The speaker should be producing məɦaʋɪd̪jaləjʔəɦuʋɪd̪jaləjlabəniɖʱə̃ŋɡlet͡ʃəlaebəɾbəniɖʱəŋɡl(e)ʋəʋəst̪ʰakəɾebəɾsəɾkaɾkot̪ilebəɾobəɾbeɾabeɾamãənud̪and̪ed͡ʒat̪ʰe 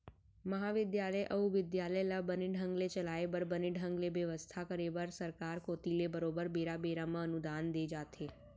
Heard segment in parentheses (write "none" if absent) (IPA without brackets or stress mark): e